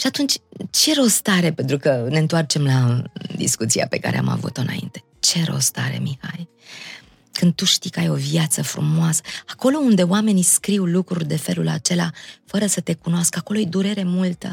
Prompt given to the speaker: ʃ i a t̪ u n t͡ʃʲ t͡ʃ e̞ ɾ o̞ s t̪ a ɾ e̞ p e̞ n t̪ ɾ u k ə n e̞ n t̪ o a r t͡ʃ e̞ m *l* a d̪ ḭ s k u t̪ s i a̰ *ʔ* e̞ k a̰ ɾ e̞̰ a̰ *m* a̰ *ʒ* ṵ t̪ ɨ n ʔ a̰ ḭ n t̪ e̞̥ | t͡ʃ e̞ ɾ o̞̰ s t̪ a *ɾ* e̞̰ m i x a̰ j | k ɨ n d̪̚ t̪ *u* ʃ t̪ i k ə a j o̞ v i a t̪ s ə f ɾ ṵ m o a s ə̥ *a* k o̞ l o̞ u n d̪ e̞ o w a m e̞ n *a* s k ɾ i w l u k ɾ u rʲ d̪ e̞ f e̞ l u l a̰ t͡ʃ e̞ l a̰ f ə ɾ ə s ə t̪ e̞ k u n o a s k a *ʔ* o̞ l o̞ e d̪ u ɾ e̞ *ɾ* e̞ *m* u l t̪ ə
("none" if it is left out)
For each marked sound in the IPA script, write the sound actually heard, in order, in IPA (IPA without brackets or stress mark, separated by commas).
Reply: l, p, m, v, ɾ, u, a, i, k, ɾ, m